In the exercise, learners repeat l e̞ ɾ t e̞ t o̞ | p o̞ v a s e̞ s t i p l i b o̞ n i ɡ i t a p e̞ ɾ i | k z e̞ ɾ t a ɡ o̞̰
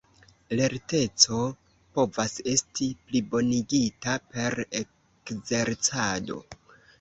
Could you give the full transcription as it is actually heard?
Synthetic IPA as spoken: l e̞ ɾ t e̞ t͡s o̞ | p o̞ v a s e̞ s t i p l i b o̞ n i ɡ i t a p e̞ ɾ e | k z e̞ ɾ t͡s a d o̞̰